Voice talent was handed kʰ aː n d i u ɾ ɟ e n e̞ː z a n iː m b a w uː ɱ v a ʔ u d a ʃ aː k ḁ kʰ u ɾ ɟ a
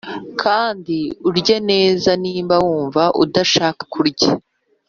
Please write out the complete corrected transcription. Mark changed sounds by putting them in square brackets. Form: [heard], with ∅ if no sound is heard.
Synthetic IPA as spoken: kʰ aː n d i u ɾ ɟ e n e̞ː z a n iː m b a w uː ɱ v a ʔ u d a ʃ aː k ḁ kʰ u ɾ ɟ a

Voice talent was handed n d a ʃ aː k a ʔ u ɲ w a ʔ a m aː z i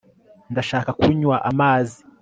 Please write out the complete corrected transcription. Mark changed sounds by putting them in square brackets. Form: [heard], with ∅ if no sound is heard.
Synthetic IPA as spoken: n d a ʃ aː k a [k] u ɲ w a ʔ a m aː z i

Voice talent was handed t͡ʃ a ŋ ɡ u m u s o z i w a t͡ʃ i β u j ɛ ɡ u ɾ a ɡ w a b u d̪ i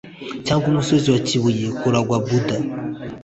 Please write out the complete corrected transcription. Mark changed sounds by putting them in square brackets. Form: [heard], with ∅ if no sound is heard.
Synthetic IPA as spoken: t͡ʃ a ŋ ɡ u m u s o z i w a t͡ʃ i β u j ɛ [k] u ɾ a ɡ w a b u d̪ [a]

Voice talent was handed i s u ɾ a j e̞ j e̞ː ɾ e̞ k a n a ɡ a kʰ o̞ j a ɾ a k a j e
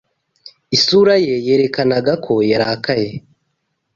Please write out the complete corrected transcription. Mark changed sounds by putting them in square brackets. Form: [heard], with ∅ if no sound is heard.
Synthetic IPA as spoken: i s u ɾ a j e̞ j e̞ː ɾ e̞ k a n a ɡ a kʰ o̞ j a ɾ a k a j e

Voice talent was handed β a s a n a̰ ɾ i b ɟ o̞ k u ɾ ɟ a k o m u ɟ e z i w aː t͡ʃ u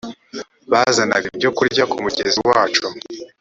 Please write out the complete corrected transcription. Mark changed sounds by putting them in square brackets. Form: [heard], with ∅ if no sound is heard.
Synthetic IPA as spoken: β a [z] a n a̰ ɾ i b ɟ o̞ k u ɾ ɟ a k [u] m u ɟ e z i w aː t͡ʃ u

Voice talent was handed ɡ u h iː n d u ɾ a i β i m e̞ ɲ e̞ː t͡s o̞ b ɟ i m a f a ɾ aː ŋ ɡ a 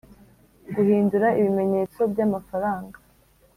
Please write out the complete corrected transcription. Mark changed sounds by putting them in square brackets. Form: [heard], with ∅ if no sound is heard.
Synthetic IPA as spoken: ɡ u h iː n d u ɾ a i β i m e̞ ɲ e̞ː t͡s o̞ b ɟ [a] m a f a ɾ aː ŋ ɡ a

